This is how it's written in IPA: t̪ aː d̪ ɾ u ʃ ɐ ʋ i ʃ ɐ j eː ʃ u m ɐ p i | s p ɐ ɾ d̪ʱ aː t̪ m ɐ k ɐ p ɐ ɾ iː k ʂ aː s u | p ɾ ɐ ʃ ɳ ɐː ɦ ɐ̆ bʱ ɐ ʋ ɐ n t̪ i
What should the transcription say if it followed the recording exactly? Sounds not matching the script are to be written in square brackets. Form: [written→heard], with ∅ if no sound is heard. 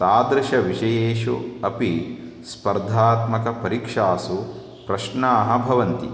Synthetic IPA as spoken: t̪ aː d̪ ɾ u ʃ ɐ ʋ i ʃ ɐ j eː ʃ u [m→∅] ɐ p i | s p ɐ ɾ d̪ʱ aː t̪ m ɐ k ɐ p ɐ ɾ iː k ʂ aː s u | p ɾ ɐ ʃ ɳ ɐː ɦ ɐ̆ bʱ ɐ ʋ ɐ n t̪ i